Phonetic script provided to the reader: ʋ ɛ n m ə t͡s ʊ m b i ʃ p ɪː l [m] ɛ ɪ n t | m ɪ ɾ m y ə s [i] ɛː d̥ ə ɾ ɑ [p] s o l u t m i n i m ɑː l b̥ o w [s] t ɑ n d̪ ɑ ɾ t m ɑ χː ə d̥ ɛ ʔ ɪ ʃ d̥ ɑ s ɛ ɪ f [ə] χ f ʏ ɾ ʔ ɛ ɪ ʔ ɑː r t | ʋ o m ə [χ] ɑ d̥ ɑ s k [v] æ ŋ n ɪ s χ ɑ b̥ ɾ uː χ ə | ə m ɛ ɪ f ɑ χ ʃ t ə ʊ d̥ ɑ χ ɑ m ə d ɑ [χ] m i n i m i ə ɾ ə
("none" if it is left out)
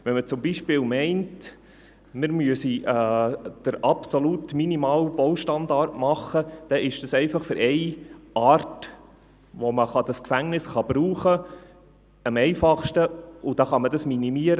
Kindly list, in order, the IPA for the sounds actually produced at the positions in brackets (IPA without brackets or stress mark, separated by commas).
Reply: m, i, p, ʃ, ɑ, χ, f, s